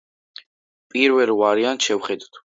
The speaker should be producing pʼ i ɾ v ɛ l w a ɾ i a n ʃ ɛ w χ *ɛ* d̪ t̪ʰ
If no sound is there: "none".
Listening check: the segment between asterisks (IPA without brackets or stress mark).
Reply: ɛ